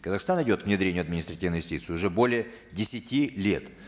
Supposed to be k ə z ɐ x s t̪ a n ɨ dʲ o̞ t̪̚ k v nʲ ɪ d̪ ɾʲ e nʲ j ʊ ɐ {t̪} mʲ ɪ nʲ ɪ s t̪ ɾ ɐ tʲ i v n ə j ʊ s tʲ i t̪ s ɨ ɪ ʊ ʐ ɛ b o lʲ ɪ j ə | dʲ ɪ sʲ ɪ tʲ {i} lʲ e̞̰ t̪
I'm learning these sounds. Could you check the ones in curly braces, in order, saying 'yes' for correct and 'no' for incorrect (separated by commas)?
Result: no, yes